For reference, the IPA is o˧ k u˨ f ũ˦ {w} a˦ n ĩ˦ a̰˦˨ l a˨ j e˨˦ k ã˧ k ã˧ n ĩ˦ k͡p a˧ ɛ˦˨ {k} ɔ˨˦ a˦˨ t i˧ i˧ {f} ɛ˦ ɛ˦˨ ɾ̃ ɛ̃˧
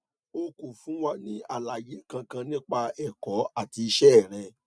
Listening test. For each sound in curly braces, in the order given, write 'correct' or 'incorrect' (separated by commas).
correct, correct, incorrect